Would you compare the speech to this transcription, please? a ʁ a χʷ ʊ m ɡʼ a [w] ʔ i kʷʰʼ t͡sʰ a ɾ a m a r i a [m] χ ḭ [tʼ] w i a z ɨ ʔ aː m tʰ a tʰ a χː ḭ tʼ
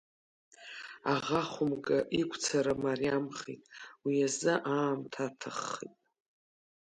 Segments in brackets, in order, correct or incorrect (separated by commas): incorrect, correct, correct